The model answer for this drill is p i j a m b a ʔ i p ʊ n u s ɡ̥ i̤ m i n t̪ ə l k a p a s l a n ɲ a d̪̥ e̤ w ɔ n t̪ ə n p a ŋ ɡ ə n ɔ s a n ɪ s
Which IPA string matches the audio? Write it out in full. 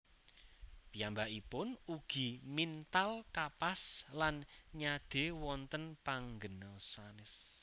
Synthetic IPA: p i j a m b a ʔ i p ʊ n u ɡ̥ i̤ m i n t̪ a l k a p a s l a n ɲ a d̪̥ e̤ w ɔ n t̪ ə n p a ŋ ɡ ə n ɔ s a n ɪ s